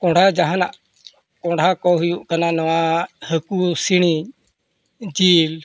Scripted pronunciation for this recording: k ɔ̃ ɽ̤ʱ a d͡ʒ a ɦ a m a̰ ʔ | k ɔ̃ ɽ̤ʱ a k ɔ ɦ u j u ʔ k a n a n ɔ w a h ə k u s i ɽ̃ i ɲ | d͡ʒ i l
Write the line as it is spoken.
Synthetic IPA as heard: k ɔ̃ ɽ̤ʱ a d͡ʒ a ɦ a n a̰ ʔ | k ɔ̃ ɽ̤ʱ a k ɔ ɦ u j u ʔ k a n a n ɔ w a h ə k u s i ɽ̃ i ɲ | d͡ʒ i l